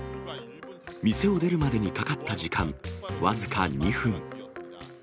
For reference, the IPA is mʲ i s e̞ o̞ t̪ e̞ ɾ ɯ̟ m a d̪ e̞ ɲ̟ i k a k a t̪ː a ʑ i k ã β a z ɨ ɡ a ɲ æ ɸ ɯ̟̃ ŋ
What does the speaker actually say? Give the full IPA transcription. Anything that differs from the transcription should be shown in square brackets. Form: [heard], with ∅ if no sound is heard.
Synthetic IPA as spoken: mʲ i s e̞ o̞ [d̪] e̞ ɾ ɯ̟ m a d̪ e̞ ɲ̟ i k a k a t̪ː a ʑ i k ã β a z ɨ [k] a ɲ [i] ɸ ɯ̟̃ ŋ